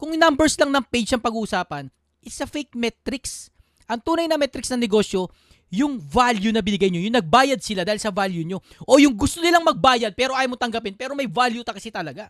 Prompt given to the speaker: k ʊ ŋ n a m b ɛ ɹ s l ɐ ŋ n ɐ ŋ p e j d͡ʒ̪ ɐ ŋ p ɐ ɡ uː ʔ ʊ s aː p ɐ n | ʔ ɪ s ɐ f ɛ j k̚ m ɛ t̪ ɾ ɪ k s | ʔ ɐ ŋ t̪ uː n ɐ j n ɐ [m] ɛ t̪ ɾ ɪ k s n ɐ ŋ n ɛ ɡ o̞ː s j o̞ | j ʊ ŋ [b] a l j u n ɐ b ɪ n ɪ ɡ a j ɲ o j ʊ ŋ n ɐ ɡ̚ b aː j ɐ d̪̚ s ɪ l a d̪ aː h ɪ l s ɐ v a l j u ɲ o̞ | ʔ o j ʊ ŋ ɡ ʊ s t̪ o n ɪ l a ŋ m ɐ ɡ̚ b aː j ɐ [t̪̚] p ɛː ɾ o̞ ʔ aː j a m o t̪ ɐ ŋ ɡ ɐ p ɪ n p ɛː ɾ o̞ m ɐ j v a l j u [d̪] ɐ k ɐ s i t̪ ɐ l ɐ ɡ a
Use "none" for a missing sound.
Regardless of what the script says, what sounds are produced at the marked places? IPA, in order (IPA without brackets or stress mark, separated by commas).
m, v, d̪̚, t̪